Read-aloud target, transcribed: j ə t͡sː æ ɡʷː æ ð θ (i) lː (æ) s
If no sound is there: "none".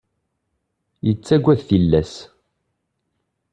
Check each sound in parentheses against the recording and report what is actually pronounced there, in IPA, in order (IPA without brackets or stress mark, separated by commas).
i, æ